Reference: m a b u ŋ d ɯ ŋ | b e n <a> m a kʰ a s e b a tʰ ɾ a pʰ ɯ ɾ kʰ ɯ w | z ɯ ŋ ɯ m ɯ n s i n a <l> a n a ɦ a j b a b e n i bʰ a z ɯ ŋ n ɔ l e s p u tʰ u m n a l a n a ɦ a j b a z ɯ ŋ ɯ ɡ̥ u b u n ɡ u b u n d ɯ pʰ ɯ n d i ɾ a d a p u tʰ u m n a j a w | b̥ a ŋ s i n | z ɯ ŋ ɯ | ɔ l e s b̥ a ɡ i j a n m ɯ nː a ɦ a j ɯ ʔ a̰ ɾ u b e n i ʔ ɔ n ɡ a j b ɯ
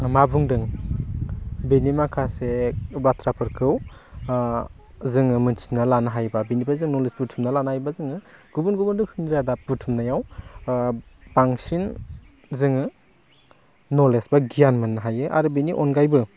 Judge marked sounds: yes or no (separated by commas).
no, yes